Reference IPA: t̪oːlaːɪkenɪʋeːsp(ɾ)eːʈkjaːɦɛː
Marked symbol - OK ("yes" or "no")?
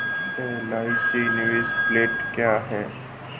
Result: no